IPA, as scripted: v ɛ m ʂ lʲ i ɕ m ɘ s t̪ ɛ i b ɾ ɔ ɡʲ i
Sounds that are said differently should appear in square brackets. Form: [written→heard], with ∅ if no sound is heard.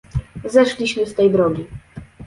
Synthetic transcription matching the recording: [v→z] ɛ [m→∅] ʂ lʲ i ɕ m ɘ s t̪ ɛ [i→j] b ɾ ɔ ɡʲ i